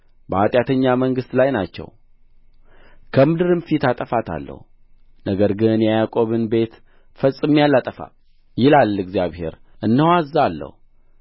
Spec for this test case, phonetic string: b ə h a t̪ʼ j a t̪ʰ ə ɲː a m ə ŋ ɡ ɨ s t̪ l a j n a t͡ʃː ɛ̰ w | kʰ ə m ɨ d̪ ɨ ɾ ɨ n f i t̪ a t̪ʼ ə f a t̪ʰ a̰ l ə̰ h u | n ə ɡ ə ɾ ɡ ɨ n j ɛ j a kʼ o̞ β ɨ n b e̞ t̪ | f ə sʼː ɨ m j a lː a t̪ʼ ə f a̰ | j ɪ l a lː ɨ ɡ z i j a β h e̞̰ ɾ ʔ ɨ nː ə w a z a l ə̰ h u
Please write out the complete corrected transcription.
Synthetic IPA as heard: b ə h a t̪ʼ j a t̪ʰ ə ɲː a m ə ŋ ɡ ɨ s t̪ l a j n a t͡ʃː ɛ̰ w | kʰ ə m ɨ d̪ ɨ ɾ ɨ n f i t̪ a t̪ʼ ə f a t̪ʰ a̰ lː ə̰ h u | n ə ɡ ə ɾ ɡ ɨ n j ɛ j a kʼ o̞ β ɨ n b e̞ t̪ | f ə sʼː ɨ m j a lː a t̪ʼ ə f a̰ | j ɪ l a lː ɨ ɡ z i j a β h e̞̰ ɾ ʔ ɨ nː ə w a z a lː ə̰ h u